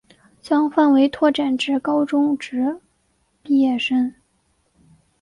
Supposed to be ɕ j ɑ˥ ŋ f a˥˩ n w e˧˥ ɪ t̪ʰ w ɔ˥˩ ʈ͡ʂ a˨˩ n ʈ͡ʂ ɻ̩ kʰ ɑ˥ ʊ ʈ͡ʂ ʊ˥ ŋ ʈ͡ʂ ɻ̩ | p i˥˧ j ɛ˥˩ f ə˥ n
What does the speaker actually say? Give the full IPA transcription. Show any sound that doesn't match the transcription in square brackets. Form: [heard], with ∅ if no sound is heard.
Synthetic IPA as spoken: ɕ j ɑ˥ ŋ f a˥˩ n w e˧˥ ɪ t̪ʰ w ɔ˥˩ ʈ͡ʂ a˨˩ n ʈ͡ʂ ɻ̩ [k] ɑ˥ ʊ ʈ͡ʂ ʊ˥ ŋ ʈ͡ʂ ɻ̩ | p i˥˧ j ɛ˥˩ [ʂ] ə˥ n